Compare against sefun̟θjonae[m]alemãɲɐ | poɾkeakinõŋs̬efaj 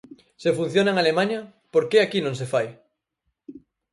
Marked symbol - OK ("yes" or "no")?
no